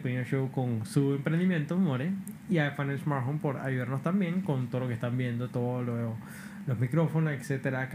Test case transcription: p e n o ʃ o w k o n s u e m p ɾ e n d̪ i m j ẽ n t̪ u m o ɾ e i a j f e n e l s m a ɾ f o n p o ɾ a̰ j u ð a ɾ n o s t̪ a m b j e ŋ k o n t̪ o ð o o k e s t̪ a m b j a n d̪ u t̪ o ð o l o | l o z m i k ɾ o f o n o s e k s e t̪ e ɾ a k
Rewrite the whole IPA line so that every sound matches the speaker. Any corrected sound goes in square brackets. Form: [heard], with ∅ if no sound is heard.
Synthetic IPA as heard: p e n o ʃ o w k o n s u e m p ɾ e n d̪ i m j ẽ n t̪ [o] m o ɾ e i a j f [a] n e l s m a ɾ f o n p o ɾ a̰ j u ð a ɾ n o s t̪ a m b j e ŋ k o n t̪ o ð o o k e s t̪ a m b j [e] n d̪ [o] t̪ o ð o l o | l o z m i k ɾ o f o n o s e k s e t̪ e ɾ a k